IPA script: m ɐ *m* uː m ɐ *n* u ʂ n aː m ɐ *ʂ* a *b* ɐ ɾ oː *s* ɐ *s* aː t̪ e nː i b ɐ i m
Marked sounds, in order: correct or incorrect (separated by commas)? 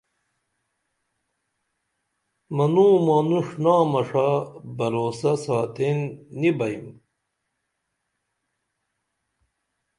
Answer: incorrect, correct, correct, correct, correct, correct